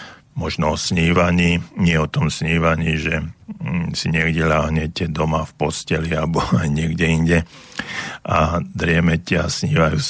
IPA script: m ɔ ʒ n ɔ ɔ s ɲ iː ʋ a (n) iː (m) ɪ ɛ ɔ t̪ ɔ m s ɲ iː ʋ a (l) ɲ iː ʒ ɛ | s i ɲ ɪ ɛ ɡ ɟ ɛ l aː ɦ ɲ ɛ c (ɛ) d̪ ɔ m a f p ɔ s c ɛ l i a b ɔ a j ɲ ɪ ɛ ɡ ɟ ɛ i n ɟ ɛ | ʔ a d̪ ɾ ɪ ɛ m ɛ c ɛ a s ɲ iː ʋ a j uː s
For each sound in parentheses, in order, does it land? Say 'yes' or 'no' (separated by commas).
no, no, no, yes